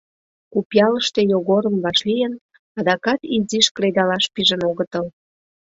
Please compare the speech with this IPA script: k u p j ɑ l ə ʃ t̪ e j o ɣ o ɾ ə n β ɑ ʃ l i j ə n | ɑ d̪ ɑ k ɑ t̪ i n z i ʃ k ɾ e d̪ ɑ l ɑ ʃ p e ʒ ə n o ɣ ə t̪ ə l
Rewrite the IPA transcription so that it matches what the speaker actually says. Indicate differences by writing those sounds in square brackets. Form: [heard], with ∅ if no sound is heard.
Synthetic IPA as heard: k u p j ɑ l ə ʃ t̪ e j o ɣ o ɾ ə [m] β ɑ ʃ l i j ə n | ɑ d̪ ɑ k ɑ t̪ i [∅] z i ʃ k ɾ e d̪ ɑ l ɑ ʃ p [i] ʒ ə n o ɣ ə t̪ ə l